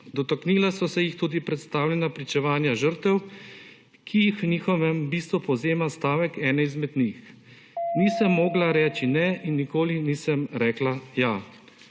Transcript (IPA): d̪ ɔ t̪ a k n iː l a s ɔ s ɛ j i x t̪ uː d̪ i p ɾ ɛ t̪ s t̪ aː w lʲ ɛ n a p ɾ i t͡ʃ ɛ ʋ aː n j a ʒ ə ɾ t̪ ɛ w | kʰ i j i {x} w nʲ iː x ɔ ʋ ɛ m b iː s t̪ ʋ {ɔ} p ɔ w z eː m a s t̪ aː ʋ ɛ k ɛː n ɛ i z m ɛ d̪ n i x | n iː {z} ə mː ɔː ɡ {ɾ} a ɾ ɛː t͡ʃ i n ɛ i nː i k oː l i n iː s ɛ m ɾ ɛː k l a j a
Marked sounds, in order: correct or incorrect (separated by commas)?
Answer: correct, incorrect, incorrect, incorrect